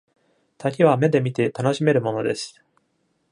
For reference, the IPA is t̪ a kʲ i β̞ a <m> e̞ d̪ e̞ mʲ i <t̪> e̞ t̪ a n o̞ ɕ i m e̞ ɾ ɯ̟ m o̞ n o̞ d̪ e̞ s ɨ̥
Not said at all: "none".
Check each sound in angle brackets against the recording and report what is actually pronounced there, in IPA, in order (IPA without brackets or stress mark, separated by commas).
m, t̪